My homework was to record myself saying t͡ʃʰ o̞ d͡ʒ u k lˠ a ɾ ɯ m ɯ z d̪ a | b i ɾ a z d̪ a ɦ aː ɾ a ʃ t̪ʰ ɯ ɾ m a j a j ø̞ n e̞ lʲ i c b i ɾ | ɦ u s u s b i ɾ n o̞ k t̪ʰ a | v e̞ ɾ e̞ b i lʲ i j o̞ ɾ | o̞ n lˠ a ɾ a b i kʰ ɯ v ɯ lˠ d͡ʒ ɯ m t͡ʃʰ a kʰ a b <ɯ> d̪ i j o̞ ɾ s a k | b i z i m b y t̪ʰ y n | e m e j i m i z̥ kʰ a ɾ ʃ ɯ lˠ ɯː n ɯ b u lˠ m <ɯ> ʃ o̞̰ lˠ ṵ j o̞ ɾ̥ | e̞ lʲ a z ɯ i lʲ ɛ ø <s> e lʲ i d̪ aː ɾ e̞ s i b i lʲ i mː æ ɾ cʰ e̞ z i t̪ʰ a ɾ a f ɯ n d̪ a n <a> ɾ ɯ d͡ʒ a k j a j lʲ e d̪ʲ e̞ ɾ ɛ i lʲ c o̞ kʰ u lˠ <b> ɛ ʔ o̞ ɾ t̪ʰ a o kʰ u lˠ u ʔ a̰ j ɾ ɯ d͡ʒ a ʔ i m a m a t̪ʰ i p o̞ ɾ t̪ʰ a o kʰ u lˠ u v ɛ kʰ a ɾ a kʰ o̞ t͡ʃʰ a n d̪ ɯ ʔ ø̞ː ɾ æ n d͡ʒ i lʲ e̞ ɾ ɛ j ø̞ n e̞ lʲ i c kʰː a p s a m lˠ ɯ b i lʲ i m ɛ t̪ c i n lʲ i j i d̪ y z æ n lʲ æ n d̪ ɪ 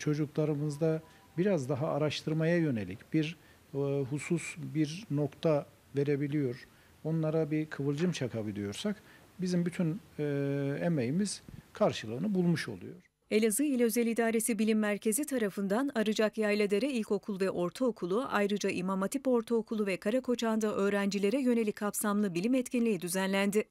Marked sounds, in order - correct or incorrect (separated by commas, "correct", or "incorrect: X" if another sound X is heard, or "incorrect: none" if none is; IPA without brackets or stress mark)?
correct, incorrect: u, incorrect: z, correct, incorrect: v